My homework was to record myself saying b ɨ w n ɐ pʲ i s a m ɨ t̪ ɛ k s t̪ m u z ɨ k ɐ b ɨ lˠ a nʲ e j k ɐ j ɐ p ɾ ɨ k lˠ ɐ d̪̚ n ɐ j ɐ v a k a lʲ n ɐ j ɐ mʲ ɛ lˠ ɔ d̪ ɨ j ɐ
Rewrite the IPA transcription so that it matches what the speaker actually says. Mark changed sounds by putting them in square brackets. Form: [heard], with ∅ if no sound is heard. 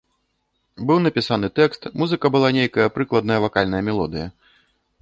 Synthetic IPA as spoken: b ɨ w n ɐ pʲ i s a [n] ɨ t̪ ɛ k s t̪ m u z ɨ k ɐ b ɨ lˠ a nʲ e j k ɐ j ɐ p ɾ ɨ k lˠ ɐ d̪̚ n ɐ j ɐ v a k a lʲ n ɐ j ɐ mʲ ɛ lˠ ɔ d̪ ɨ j ɐ